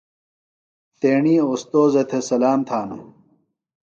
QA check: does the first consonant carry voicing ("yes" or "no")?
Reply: no